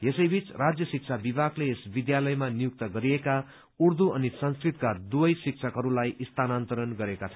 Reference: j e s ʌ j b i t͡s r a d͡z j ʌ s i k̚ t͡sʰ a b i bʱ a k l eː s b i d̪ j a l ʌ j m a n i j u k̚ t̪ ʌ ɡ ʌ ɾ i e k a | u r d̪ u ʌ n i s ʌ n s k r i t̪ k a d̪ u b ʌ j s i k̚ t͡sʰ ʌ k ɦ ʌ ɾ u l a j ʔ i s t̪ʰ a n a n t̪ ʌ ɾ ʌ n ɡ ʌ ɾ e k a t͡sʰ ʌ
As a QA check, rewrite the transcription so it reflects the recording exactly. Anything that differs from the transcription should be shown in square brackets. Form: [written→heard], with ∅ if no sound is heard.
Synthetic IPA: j e s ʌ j b i t͡s r a d͡z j ʌ s i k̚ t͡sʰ a b i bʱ a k l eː s b i d̪ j a l ʌ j m a n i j u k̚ t̪ ʌ ɡ ʌ ɾ i e k a | u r d̪ u ʌ n i s ʌ n s k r i t̪ k a d̪ u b ʌ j s i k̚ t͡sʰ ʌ k ɦ ʌ ɾ u l a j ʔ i s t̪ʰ a n a n t̪ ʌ ɾ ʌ n ɡ ʌ ɾ e k a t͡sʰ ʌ